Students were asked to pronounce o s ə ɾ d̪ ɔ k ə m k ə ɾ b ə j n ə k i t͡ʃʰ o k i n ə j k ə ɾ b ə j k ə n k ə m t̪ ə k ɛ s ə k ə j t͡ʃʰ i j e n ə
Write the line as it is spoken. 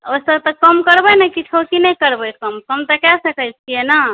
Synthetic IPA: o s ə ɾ t̪ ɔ k ə m k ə ɾ b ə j n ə k i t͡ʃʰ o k i n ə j k ə ɾ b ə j k ə m k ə m t̪ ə k ɛ s ə k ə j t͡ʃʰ i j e n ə